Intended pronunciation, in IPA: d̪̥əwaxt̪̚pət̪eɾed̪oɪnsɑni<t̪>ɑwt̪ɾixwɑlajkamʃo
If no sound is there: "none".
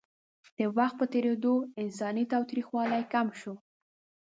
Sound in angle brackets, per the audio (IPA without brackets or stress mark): t̪